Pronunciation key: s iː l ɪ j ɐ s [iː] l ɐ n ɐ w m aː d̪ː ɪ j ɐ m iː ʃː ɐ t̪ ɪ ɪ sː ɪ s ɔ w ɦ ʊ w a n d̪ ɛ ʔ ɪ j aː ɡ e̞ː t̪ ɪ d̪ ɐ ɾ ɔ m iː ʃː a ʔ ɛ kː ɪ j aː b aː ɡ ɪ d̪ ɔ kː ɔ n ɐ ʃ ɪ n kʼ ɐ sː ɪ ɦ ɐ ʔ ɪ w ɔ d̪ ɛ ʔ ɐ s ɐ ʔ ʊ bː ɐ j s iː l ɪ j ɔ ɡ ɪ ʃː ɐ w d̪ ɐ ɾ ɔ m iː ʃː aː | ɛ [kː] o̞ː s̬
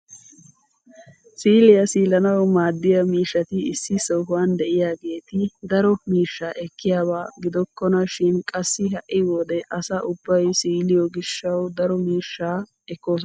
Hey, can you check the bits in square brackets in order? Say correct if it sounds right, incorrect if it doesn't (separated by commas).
correct, correct